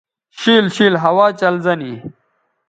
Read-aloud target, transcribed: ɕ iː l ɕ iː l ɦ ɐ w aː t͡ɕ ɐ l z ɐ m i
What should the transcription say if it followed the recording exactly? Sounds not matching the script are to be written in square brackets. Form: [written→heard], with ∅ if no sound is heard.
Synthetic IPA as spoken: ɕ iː l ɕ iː l ɦ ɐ w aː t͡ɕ ɐ l z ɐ [m→n] i